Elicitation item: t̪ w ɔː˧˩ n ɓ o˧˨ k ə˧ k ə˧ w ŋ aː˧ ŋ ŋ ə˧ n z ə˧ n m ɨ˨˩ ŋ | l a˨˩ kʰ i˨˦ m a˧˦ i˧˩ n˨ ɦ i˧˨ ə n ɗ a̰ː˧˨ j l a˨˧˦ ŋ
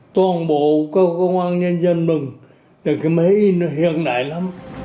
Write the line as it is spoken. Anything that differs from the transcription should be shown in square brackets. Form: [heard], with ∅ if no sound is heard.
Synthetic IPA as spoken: t̪ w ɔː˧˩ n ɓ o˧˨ k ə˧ k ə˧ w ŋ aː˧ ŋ [ɲ] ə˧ n z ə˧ n m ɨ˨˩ ŋ | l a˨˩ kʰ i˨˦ m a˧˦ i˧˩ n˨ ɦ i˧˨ ə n ɗ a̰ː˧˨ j l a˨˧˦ [m]

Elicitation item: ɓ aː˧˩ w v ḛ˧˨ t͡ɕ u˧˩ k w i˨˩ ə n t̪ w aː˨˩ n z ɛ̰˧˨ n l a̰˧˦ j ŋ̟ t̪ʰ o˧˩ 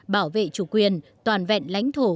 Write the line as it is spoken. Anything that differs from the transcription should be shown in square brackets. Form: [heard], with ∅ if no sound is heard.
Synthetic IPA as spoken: ɓ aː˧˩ w v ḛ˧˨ t͡ɕ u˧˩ k w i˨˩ ə n t̪ w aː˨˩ n [v] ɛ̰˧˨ n l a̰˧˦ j ŋ̟ t̪ʰ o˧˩

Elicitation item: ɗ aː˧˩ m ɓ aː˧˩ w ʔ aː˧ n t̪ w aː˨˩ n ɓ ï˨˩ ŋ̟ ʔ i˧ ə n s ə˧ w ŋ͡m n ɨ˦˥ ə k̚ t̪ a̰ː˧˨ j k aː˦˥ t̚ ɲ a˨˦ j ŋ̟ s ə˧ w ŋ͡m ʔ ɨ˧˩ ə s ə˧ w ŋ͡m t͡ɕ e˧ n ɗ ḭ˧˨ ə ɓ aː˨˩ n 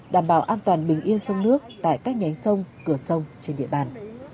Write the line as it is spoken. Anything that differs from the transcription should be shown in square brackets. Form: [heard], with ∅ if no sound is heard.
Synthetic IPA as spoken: ɗ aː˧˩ m ɓ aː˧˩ w ʔ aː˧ n t̪ w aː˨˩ n ɓ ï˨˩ ŋ̟ ʔ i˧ ə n s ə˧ w ŋ͡m n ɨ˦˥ ə k̚ t̪ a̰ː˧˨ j k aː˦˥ [k̚] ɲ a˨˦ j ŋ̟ s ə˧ w ŋ͡m [k] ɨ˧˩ ə s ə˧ w ŋ͡m t͡ɕ e˧ n ɗ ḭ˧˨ ə ɓ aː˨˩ n

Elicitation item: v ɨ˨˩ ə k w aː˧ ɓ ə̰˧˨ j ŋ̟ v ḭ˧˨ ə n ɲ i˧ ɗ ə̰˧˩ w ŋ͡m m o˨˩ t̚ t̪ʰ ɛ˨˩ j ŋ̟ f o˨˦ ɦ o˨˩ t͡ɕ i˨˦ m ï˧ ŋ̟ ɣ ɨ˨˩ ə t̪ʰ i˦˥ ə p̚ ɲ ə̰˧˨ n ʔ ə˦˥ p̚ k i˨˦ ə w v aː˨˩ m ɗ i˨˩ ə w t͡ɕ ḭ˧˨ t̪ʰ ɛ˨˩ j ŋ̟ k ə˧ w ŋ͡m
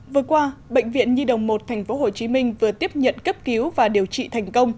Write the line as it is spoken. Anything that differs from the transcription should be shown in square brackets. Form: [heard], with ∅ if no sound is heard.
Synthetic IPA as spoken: v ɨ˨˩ ə k w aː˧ ɓ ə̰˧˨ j ŋ̟ v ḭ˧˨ ə n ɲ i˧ ɗ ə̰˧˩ w ŋ͡m m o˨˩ t̚ t̪ʰ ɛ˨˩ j ŋ̟ f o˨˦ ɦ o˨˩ t͡ɕ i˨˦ m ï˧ ŋ̟ [v] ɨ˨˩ ə [t̪] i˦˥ ə p̚ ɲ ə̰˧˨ n [k] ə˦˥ p̚ k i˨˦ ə w v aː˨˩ [∅] ɗ i˨˩ ə w t͡ɕ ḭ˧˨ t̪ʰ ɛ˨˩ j ŋ̟ k ə˧ w ŋ͡m

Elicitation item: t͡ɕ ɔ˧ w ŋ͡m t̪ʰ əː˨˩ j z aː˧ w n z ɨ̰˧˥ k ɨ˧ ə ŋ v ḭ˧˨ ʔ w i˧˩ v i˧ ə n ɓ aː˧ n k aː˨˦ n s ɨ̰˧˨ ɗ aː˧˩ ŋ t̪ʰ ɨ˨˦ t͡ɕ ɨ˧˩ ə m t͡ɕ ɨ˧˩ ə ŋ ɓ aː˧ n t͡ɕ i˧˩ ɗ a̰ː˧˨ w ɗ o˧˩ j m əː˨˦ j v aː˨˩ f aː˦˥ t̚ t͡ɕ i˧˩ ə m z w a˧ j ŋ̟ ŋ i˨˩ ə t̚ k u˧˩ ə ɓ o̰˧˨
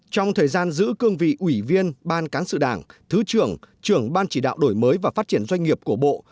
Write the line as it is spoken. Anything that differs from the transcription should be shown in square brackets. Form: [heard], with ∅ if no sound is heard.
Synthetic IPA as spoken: t͡ɕ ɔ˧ w ŋ͡m t̪ʰ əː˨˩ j z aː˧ [∅] n z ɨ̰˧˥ k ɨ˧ ə ŋ v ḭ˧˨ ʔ w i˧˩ v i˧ ə n ɓ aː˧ n k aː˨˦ n s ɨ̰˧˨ ɗ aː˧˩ ŋ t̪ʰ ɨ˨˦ t͡ɕ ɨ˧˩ ə [ŋ] t͡ɕ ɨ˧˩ ə ŋ ɓ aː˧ n t͡ɕ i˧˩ ɗ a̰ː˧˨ w ɗ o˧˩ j m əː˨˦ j v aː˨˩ f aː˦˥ t̚ t͡ɕ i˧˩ ə [n] z w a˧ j ŋ̟ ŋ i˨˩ ə [p̚] k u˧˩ ə ɓ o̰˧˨

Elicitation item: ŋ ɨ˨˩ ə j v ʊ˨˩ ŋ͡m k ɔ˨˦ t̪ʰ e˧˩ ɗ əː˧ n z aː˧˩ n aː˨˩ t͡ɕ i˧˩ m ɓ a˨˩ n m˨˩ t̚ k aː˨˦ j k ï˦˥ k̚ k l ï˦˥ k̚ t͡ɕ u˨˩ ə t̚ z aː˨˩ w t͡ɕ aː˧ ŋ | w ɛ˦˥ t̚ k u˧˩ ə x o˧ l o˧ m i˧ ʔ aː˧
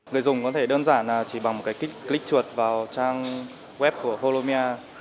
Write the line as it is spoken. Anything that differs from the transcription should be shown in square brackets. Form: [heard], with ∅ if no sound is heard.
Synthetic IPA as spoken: ŋ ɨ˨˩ ə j [z] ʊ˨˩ ŋ͡m k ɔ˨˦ t̪ʰ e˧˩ ɗ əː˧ n z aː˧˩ n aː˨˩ t͡ɕ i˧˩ [∅] ɓ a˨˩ [ŋ] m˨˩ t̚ k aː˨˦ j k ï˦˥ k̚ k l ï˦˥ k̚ t͡ɕ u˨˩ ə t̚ [v] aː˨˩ w t͡ɕ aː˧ ŋ | w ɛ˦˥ [p̚] k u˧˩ ə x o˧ l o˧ m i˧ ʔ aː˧

